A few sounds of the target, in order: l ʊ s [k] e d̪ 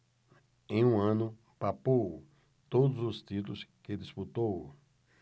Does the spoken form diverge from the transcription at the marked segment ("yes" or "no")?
no